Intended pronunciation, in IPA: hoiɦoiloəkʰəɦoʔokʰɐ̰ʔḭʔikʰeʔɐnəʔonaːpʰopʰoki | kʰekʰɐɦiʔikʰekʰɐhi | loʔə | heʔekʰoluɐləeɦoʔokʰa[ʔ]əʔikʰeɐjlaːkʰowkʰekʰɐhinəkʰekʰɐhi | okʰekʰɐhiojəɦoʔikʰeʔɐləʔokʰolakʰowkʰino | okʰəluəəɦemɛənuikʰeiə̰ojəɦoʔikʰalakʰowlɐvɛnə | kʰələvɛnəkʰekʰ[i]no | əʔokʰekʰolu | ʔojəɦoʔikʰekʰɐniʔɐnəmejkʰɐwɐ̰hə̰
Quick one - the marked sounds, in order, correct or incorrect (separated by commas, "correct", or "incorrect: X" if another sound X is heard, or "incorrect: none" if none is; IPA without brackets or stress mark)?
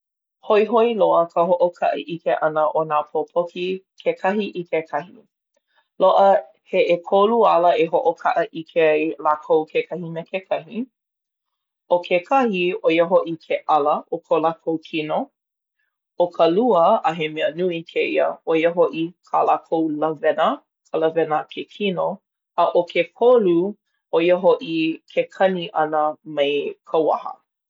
correct, correct